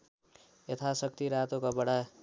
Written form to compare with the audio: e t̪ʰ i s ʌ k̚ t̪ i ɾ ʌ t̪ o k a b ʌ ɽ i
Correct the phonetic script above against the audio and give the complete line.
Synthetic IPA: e t̪ʰ a s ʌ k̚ t̪ i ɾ a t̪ o k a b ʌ ɽ a

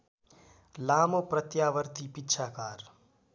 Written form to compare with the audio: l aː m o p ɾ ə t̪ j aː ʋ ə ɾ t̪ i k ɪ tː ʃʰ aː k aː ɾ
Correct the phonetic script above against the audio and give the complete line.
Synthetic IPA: l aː m o p ɾ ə t̪ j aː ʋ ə ɾ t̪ i p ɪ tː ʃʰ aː k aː ɾ

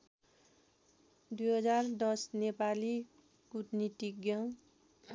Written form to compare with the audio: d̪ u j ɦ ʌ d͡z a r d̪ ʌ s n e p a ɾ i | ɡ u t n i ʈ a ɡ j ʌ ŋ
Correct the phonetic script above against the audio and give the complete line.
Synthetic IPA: d̪ u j ɦ ʌ d͡z a r d̪ ʌ s n e p a l i | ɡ u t n i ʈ i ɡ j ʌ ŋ

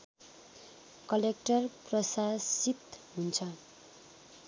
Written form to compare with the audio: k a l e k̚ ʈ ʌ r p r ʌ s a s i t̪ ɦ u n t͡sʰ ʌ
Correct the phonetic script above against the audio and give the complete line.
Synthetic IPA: k ʌ l e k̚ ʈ ʌ r p r ʌ s a s i t̪ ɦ u n t͡sʰ ʌ

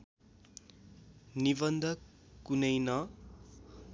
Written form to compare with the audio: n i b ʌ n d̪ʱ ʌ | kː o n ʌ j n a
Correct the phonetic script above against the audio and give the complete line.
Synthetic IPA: n i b ʌ n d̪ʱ ʌ | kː u n ʌ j n ʌ

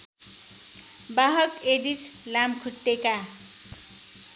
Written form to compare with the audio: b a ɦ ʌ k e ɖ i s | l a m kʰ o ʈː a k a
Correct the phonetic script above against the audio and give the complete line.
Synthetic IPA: b a ɦ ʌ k e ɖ i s | l a m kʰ u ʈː e k a

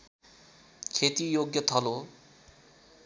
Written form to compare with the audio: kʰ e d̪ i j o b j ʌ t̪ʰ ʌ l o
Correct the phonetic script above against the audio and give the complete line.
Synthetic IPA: kʰ e t̪ i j o ɡ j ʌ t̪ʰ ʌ l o

